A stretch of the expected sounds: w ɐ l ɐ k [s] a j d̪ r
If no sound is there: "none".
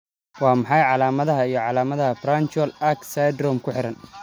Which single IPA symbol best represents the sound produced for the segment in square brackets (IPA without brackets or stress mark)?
s